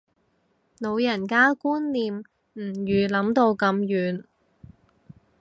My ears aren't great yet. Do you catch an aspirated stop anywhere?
no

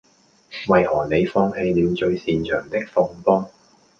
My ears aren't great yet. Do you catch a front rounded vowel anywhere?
yes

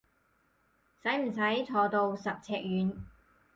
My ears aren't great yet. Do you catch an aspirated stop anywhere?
yes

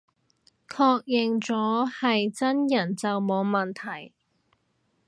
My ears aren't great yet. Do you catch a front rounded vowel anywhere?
no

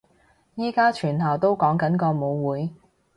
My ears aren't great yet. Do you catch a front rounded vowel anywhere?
yes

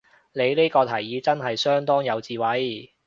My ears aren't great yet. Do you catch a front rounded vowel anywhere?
yes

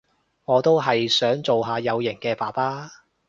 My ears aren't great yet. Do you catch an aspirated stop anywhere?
no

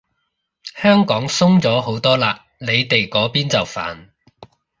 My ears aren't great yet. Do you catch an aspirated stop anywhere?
no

